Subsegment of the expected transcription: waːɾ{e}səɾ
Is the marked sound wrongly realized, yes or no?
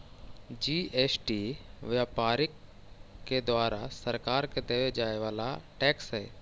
yes